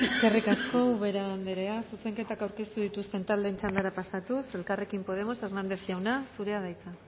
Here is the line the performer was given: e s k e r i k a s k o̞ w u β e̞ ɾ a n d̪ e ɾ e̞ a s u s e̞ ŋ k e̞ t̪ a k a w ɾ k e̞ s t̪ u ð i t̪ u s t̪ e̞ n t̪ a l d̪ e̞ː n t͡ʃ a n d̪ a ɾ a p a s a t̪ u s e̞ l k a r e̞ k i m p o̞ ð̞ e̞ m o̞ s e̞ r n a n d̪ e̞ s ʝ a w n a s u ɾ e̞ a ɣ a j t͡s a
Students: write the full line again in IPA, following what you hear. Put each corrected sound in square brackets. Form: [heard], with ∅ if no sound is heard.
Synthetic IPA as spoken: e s k e r i k a s k o̞ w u β e̞ ɾ a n d̪ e ɾ e̞ a s u s e̞ ŋ k e̞ t̪ a k a w ɾ k e̞ s t̪ u ð i t̪ u s t̪ e̞ n t̪ a l d̪ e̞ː n t͡ʃ a n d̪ a ɾ a p a s a t̪ u s e̞ l k a r e̞ k i m p o̞ ð̞ e̞ m o̞ s e̞ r n a n d̪ e̞ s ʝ a w n a s u ɾ e̞ a [ð] a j t͡s a